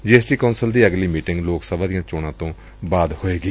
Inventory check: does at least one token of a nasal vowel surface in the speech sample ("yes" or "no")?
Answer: yes